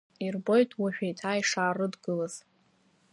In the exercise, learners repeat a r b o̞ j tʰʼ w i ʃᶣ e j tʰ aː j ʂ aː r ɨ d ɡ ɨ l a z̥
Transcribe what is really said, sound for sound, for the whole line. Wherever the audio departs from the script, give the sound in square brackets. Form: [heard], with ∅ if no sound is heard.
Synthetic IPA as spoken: [i] r b o̞ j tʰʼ w [a] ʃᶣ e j tʰ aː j ʂ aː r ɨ d ɡ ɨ l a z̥